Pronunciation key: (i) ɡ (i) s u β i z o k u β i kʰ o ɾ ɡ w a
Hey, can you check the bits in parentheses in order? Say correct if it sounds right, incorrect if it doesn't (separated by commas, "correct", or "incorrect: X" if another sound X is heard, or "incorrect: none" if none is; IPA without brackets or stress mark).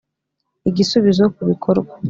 correct, correct